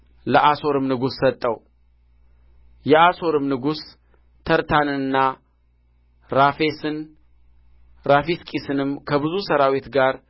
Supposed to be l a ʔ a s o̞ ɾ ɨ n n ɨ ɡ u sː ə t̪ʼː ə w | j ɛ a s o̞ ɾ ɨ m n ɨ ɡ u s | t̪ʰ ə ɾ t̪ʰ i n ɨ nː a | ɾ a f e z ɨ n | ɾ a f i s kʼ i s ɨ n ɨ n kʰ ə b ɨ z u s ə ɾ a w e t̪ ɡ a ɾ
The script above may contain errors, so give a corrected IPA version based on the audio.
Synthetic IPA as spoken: l ə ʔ a s o̞ ɾ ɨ m n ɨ ɡ u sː ə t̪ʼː ə w | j ɛ a s o̞ ɾ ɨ m n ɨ ɡ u s | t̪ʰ ə ɾ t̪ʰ a n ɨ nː a | ɾ a f e s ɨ n | ɾ a f i s kʼ i s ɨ n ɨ m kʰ ə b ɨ z u s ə ɾ a w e t̪ ɡ a ɾ